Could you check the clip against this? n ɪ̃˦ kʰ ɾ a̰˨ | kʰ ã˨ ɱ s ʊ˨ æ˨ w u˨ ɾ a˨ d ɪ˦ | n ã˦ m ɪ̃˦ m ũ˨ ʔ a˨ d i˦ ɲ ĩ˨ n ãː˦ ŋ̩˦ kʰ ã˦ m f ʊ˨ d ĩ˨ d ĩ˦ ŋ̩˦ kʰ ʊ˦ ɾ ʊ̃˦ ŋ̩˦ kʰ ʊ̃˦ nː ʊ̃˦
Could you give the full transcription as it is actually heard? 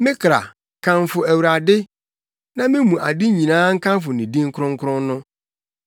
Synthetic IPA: m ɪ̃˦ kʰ ɾ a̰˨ | kʰ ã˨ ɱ f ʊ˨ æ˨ w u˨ ɾ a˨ d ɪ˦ | n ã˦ m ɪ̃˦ m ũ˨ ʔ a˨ d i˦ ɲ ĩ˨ n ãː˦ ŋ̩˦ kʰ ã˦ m f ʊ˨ n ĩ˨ d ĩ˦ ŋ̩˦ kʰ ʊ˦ ɾ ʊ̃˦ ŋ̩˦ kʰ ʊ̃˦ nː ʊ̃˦